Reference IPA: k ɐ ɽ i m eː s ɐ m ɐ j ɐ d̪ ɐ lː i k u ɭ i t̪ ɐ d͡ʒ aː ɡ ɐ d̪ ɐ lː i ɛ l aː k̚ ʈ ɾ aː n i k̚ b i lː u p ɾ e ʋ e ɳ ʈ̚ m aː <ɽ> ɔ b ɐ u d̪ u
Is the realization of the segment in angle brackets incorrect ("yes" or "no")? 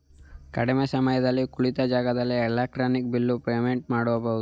no